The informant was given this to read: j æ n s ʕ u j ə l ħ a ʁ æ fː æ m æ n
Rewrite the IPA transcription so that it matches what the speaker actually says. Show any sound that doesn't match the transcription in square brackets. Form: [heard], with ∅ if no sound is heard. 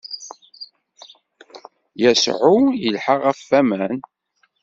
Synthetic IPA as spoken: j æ [∅] s ʕ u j ə l ħ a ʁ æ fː æ m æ n